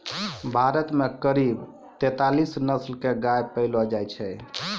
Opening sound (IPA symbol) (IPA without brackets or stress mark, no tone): bʱ